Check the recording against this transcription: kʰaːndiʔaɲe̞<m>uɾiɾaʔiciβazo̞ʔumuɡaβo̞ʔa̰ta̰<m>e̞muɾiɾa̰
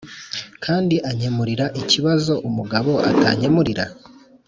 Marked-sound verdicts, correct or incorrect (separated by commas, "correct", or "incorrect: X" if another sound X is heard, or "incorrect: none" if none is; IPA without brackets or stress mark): correct, incorrect: ɲ